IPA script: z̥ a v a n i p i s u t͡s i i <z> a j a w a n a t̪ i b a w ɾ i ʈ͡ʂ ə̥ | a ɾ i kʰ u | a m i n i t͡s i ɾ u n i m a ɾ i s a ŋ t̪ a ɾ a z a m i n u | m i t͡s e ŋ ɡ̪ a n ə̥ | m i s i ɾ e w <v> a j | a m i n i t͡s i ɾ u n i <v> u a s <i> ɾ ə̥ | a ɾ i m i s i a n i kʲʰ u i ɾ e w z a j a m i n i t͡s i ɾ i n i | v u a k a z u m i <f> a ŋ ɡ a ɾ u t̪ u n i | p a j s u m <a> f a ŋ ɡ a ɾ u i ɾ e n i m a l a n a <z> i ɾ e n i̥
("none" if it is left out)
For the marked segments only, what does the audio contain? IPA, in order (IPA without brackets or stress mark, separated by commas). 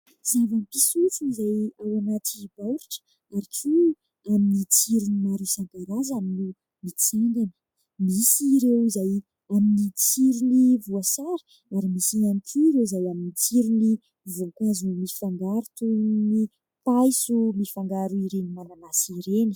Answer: z, z, v, a, f, i, s